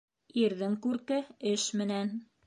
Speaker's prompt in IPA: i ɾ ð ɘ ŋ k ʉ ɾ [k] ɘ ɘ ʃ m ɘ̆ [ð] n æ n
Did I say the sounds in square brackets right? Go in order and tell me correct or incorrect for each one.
correct, incorrect

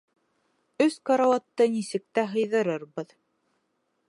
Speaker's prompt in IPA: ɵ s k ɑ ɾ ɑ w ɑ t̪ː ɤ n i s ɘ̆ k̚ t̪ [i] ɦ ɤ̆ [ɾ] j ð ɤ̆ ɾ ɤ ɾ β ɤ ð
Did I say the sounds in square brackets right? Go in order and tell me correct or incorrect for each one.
incorrect, incorrect

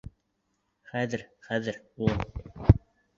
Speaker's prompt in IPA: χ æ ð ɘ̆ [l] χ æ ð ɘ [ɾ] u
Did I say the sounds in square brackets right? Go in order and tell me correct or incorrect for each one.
incorrect, correct

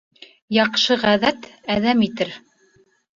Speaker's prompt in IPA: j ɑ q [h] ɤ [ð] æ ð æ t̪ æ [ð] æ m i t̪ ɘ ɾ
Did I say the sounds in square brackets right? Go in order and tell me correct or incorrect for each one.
incorrect, incorrect, correct

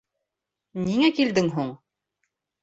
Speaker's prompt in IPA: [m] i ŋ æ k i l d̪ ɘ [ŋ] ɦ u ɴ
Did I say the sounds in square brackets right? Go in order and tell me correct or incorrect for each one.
incorrect, correct

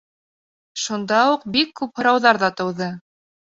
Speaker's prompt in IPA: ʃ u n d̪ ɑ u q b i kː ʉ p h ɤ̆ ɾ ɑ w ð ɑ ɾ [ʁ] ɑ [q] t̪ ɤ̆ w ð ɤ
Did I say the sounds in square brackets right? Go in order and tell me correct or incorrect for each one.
incorrect, incorrect

